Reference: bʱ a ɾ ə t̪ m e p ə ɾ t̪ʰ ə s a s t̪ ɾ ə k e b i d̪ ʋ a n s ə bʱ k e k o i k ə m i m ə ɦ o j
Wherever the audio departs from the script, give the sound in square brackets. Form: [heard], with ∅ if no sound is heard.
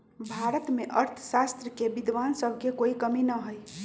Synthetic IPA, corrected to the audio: bʱ a ɾ ə t̪ m e [ʔ] ə ɾ t̪ʰ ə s a s t̪ ɾ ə k e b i d̪ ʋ a n s ə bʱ k e k o i k ə m i [n] ə ɦ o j